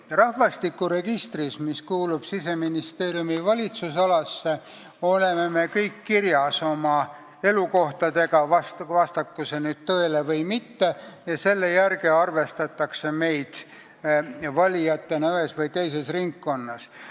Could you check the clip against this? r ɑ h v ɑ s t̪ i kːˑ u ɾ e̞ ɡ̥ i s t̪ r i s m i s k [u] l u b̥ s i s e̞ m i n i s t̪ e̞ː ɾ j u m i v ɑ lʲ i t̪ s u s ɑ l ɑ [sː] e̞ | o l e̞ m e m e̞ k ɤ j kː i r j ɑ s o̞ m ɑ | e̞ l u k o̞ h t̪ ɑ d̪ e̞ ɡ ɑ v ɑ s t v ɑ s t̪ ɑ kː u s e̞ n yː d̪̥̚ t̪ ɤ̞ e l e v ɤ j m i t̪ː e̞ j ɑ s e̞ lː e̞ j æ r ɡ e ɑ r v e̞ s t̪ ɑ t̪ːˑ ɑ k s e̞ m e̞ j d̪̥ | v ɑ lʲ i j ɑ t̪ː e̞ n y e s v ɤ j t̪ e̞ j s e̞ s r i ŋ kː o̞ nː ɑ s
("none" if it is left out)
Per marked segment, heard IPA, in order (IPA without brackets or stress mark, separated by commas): uː, sː